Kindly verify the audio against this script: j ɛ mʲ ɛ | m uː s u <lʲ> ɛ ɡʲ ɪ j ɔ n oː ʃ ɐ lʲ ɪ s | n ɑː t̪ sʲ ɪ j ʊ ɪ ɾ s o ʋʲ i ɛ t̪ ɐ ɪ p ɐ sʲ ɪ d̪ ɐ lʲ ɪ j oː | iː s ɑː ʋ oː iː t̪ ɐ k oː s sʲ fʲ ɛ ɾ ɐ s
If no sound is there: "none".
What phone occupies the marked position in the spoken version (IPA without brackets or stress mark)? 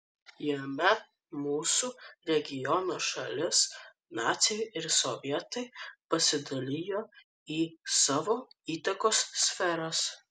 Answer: ɾʲ